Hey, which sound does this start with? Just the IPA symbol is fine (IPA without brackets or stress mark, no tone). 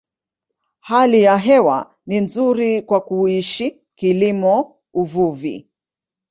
h